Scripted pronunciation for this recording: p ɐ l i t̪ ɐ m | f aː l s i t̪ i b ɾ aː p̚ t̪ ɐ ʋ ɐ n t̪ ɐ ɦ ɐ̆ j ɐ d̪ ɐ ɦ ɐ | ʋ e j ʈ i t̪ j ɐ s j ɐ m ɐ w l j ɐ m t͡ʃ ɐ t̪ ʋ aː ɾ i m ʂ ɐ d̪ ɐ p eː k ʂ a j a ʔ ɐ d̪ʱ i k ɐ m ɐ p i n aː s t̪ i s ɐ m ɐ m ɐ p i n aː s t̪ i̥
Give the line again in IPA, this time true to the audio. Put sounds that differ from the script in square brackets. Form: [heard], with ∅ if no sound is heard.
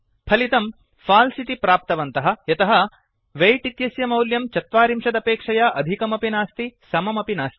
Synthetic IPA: [pʰ] ɐ l i t̪ ɐ m | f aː l s i t̪ i [p] ɾ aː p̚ t̪ ɐ ʋ ɐ n t̪ ɐ ɦ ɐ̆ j ɐ [t̪] ɐ ɦ ɐ | ʋ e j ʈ i t̪ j ɐ s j ɐ m ɐ w l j ɐ m t͡ʃ ɐ t̪ ʋ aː ɾ i m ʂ ɐ d̪ ɐ p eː k ʂ [ɐ] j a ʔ ɐ d̪ʱ i k ɐ m ɐ p i n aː s t̪ i s ɐ m ɐ m ɐ p i n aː s t̪ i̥

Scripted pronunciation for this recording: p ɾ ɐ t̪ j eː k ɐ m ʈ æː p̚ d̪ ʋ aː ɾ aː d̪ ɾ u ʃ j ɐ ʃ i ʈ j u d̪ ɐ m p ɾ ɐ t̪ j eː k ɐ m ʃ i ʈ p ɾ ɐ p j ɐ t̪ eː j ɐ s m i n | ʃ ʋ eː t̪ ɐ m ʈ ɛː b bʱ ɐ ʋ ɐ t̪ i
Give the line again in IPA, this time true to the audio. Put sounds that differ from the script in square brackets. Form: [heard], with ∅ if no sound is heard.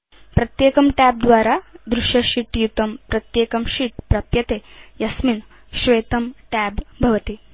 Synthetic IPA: p ɾ ɐ t̪ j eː k ɐ m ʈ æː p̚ d̪ ʋ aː ɾ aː d̪ ɾ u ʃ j ɐ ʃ i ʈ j u [t̪] ɐ m p ɾ ɐ t̪ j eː k ɐ m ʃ i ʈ p ɾ ɐ p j ɐ t̪ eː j ɐ s m i n | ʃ ʋ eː t̪ ɐ m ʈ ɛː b bʱ ɐ ʋ ɐ t̪ i

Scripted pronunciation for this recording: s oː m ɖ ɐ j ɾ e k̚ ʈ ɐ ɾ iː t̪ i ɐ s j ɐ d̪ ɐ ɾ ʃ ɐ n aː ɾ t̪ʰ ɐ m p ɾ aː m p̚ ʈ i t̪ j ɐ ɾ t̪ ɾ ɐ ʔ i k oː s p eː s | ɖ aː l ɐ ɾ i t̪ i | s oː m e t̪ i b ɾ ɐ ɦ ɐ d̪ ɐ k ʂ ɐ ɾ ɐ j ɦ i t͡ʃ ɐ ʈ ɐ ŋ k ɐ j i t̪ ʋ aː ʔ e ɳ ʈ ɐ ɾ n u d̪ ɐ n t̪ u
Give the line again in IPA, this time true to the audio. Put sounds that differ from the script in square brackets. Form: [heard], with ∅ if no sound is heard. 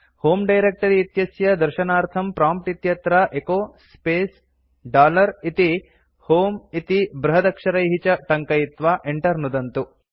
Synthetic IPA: [h] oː m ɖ ɐ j ɾ e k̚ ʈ ɐ ɾ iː t̪ [j] ɐ s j ɐ d̪ ɐ ɾ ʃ ɐ n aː ɾ t̪ʰ ɐ m p ɾ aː m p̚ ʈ i t̪ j ɐ [∅] t̪ ɾ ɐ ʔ [e] k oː s p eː s | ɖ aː l ɐ ɾ i t̪ i | [h] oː m [i] t̪ i b ɾ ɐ ɦ ɐ d̪ ɐ k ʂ ɐ ɾ ɐ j ɦ i t͡ʃ ɐ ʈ ɐ ŋ k ɐ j i t̪ ʋ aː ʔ e ɳ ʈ ɐ ɾ n u d̪ ɐ n t̪ u

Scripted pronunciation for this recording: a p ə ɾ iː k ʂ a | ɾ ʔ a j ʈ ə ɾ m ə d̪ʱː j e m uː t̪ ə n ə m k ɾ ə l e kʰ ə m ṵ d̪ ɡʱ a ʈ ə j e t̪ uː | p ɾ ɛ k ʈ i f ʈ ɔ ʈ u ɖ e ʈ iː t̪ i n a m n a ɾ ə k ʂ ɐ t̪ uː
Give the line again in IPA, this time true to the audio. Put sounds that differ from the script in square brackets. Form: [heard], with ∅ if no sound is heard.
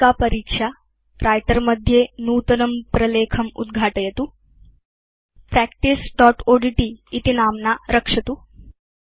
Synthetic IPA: a p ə ɾ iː k ʂ a | ɾ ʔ a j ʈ ə ɾ m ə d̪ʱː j e [n] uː t̪ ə n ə m [p] ɾ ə l e kʰ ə m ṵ d̪ ɡʱ a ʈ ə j e t̪ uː | p ɾ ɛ k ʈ i [s] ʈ ɔ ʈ [o] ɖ [i] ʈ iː t̪ i n a m n a ɾ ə k ʂ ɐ t̪ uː

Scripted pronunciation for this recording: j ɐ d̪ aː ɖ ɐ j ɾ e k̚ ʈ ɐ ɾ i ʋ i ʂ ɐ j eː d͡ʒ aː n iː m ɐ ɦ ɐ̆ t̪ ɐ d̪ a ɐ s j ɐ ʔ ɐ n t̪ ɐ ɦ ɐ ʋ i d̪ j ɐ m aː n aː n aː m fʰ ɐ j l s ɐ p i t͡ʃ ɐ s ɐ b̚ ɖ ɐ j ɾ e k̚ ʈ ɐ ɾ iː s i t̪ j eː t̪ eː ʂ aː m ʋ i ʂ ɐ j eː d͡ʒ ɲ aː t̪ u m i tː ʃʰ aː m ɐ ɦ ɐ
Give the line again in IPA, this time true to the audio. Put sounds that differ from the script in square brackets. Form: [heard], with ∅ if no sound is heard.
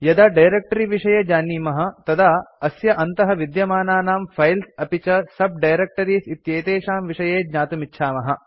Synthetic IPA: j ɐ d̪ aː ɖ ɐ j ɾ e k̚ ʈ ɐ ɾ i ʋ i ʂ ɐ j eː d͡ʒ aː n iː m ɐ ɦ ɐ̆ t̪ ɐ d̪ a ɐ s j ɐ ʔ ɐ n t̪ ɐ ɦ ɐ ʋ i d̪ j ɐ m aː n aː n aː m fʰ ɐ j l s ɐ p i t͡ʃ ɐ s ɐ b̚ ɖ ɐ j ɾ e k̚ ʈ ɐ ɾ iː s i t̪ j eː t̪ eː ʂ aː m ʋ i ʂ ɐ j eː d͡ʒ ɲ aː t̪ u m i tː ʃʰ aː m ɐ ɦ ɐ

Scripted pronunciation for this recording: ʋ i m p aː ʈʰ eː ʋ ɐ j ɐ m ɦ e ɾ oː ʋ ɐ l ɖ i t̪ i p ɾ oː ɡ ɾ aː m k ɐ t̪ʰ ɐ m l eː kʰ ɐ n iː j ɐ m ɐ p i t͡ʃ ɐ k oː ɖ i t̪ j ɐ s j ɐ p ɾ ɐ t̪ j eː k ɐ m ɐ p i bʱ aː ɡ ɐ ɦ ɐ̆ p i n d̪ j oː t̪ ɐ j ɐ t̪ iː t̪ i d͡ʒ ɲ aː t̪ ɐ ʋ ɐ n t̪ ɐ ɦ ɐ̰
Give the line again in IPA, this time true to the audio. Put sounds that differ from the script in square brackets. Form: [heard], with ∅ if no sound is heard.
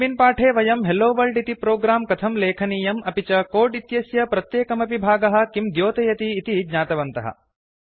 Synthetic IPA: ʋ i [n] p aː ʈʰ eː ʋ ɐ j ɐ m ɦ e [l] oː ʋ ɐ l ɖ i t̪ i p ɾ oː ɡ ɾ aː m k ɐ t̪ʰ ɐ m l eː kʰ ɐ n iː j ɐ m ɐ p i t͡ʃ ɐ k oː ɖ i t̪ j ɐ s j ɐ p ɾ ɐ t̪ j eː k ɐ m ɐ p i bʱ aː ɡ ɐ ɦ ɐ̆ [k] i [m] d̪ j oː t̪ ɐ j ɐ t̪ iː t̪ i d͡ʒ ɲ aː t̪ ɐ ʋ ɐ n t̪ ɐ ɦ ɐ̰

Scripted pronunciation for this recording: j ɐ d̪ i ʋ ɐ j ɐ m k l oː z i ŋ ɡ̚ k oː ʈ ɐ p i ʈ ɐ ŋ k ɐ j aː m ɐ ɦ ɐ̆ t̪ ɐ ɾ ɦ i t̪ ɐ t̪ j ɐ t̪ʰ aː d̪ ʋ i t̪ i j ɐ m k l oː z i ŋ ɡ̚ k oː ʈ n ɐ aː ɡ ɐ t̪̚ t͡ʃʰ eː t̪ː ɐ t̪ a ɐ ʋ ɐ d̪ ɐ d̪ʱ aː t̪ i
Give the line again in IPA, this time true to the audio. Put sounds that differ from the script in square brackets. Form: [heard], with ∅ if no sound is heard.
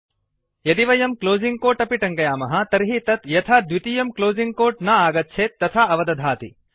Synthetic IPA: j ɐ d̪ i ʋ ɐ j ɐ m k l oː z i ŋ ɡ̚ k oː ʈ ɐ p i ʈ ɐ ŋ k ɐ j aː m ɐ ɦ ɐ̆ t̪ ɐ ɾ ɦ i t̪ ɐ t̪ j ɐ t̪ʰ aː d̪ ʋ i t̪ i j ɐ m k l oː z i ŋ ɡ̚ k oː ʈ n ɐ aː ɡ ɐ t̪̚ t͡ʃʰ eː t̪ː ɐ [t̪ʰ] a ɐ ʋ ɐ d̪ ɐ d̪ʱ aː t̪ i

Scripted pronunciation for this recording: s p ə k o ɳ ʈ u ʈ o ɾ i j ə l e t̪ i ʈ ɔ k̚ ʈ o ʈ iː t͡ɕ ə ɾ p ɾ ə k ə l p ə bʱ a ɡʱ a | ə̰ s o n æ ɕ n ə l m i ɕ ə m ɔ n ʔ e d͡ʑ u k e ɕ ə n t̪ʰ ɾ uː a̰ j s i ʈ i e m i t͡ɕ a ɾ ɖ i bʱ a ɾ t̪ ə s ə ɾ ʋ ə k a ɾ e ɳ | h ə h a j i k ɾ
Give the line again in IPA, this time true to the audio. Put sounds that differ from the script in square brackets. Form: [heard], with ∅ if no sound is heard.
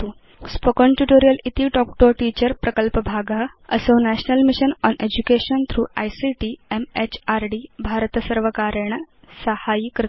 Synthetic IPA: s p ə k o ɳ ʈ u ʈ o ɾ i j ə l [i] t̪ i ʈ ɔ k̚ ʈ o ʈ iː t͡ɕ ə ɾ p ɾ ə k ə l p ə bʱ a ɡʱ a | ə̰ s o n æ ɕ n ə l m i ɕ ə [n] ɔ n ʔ e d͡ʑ u k e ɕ ə n t̪ʰ ɾ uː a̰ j s i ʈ i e m [e] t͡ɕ a ɾ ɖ i bʱ a ɾ t̪ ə s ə ɾ ʋ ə k a ɾ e ɳ | [s] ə h a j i k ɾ

